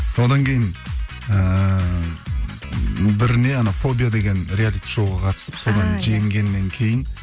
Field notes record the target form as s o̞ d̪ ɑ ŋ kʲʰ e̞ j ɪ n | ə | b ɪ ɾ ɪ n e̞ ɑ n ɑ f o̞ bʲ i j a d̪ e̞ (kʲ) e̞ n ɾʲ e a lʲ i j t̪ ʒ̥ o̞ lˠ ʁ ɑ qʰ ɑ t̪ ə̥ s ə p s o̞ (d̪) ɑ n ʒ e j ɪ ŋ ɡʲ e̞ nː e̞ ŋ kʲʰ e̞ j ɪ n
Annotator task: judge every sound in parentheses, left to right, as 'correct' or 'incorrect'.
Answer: incorrect: ɡʲ, correct

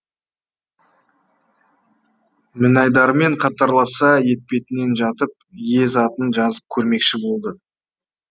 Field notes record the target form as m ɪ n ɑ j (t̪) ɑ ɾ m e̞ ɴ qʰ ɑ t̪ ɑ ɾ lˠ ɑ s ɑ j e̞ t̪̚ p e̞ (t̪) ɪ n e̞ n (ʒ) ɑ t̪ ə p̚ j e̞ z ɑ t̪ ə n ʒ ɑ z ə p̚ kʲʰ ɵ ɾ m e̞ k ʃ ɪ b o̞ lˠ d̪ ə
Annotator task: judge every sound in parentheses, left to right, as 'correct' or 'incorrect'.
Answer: incorrect: d̪, correct, correct

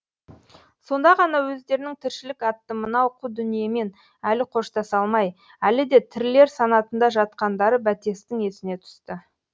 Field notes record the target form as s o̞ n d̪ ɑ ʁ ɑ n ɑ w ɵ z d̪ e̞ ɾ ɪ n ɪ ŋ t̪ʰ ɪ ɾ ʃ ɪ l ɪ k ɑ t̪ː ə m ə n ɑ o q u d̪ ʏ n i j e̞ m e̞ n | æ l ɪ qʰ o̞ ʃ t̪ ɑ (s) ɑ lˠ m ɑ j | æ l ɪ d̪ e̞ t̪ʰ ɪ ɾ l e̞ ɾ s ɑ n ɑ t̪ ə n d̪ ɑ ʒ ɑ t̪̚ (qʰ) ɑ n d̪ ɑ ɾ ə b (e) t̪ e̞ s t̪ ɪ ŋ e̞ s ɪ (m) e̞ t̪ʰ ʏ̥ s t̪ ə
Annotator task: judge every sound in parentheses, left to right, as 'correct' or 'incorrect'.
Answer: correct, incorrect: q, incorrect: æ, incorrect: n

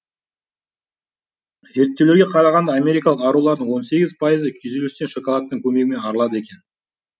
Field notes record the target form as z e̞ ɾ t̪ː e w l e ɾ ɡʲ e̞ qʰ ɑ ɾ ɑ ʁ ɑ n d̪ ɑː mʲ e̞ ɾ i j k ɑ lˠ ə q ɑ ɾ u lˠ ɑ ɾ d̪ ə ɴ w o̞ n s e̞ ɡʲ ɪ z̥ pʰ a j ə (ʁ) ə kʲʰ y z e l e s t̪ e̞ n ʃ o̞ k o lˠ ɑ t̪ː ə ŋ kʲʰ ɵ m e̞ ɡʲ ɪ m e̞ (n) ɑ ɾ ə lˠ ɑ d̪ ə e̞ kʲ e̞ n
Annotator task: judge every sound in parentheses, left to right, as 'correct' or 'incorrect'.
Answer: incorrect: z, correct

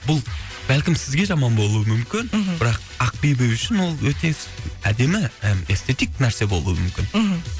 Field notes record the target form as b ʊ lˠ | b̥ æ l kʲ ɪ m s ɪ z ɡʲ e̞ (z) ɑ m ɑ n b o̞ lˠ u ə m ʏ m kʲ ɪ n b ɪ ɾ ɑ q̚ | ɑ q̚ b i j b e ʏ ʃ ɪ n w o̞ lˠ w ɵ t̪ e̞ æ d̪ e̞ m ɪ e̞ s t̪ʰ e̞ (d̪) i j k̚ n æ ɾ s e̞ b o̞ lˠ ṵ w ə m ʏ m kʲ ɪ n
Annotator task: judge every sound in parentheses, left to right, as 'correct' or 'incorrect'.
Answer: incorrect: ʒ, incorrect: t̪

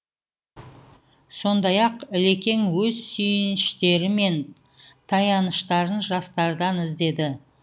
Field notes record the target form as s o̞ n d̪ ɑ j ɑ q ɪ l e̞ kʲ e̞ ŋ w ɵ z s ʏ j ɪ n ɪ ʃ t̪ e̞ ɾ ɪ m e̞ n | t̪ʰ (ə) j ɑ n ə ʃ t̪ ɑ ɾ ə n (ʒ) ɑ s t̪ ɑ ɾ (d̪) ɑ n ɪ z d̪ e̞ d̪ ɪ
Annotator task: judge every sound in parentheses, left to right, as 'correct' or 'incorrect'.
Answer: incorrect: ɑ, correct, correct

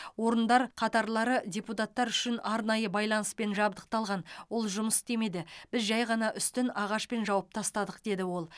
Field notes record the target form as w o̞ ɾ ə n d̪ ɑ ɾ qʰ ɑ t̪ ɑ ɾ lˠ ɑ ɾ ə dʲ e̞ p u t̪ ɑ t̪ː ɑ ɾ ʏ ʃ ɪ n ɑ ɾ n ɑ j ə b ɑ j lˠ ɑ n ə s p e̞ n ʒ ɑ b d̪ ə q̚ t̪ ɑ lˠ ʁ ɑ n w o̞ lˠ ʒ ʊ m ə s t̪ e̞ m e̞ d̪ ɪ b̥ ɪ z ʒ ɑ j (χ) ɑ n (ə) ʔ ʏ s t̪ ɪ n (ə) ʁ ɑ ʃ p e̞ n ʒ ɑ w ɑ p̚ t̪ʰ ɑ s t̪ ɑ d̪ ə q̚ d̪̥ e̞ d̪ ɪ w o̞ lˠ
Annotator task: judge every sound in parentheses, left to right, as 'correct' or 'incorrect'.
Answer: incorrect: ʁ, incorrect: ɑ, incorrect: ɑ

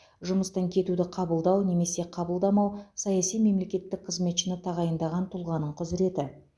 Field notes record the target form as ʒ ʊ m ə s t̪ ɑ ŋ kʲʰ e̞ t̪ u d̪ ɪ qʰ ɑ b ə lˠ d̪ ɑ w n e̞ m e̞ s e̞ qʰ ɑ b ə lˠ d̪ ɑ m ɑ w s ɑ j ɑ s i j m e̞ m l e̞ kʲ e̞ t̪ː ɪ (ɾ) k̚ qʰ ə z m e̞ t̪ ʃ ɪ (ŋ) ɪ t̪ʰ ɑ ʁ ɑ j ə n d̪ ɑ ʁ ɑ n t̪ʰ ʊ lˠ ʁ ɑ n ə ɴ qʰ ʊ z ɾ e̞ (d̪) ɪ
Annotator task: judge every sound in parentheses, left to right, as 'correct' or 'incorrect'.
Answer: incorrect: none, incorrect: n, incorrect: t̪

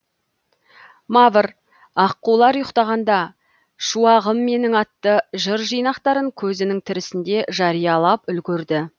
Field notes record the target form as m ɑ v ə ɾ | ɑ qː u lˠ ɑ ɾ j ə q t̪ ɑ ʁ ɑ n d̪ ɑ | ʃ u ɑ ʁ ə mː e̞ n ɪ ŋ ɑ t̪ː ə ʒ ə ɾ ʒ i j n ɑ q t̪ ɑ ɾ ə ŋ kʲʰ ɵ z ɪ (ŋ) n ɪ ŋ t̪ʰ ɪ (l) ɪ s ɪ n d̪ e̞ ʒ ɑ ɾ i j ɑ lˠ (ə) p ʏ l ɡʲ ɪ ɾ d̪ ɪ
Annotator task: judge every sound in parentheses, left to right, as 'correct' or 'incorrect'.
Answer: incorrect: none, incorrect: ɾ, incorrect: ɑ

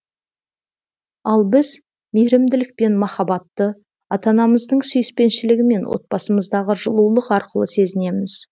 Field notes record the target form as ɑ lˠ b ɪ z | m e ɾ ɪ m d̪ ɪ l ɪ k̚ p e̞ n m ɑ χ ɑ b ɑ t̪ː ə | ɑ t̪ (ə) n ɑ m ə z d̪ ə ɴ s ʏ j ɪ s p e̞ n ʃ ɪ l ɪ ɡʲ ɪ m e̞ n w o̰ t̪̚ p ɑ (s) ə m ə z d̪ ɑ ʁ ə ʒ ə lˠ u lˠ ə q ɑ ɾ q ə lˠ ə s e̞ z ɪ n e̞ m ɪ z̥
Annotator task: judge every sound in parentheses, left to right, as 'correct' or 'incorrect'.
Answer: incorrect: ɑ, correct

